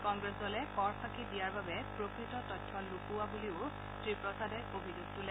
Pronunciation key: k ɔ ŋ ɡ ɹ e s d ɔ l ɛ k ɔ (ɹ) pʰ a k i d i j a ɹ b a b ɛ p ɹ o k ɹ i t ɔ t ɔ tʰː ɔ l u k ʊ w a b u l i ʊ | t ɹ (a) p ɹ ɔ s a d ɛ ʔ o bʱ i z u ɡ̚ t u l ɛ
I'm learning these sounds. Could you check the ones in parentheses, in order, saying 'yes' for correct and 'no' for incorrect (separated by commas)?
yes, no